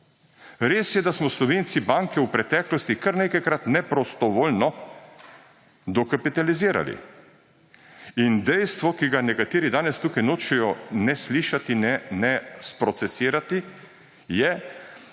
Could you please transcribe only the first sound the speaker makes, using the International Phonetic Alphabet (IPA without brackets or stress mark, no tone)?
ɾ